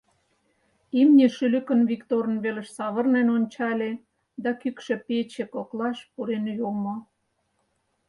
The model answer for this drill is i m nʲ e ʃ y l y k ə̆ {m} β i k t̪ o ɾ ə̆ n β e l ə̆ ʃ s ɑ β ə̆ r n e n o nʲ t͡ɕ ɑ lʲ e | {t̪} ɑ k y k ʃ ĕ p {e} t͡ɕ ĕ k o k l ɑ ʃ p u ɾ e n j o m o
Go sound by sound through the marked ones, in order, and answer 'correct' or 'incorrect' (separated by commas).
incorrect, incorrect, correct